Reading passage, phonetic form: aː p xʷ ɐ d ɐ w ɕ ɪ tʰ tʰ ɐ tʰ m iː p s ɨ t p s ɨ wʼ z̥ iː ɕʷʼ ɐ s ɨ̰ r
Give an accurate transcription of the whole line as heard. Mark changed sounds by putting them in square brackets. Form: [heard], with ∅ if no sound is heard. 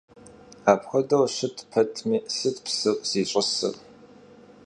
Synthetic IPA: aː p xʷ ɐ d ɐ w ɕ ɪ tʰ [pʰ] ɐ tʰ m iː [∅] s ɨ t p s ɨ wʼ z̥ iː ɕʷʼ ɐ s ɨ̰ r